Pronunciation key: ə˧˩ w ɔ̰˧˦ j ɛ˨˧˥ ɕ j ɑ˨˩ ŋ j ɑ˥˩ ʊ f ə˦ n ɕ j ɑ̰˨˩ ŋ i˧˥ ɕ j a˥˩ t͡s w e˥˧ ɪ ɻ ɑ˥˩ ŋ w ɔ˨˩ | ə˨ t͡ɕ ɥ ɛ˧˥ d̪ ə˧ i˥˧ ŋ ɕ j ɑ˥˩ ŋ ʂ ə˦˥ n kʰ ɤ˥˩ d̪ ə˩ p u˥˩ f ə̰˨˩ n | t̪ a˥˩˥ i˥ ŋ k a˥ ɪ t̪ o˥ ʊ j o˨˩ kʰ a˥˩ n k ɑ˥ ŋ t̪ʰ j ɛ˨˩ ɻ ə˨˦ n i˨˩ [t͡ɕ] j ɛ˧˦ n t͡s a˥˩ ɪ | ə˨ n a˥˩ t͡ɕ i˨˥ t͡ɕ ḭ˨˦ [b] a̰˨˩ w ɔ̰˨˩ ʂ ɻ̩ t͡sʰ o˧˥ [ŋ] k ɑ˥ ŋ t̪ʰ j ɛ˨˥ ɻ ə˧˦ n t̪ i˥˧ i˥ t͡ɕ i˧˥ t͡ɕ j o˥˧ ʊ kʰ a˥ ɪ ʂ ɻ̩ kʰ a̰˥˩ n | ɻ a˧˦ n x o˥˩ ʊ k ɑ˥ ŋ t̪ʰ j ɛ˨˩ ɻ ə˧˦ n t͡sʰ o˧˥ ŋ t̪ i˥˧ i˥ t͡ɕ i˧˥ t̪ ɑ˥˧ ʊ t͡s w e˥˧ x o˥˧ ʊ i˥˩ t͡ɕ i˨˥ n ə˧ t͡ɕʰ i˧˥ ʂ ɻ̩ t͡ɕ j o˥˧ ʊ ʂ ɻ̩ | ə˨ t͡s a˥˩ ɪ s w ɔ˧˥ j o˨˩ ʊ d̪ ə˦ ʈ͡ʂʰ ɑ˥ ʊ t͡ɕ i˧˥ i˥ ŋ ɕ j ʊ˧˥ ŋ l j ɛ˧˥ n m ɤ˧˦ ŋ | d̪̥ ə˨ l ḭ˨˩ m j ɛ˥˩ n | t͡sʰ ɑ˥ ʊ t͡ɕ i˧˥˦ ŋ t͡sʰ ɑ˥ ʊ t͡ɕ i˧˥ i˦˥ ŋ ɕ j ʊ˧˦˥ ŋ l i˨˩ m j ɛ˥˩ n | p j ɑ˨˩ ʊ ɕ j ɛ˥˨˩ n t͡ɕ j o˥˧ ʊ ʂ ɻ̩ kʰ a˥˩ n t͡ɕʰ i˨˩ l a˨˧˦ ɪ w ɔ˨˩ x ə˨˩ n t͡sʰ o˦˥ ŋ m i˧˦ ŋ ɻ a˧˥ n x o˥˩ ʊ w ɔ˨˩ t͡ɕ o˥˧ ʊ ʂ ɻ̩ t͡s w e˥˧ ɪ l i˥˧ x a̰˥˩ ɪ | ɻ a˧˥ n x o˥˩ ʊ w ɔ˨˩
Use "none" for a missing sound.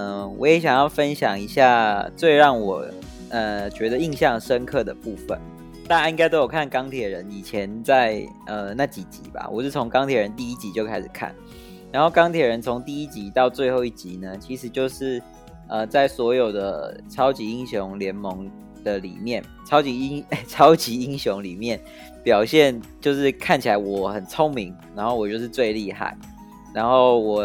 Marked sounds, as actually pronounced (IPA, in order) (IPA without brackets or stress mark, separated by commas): t͡ɕʰ, b, ŋ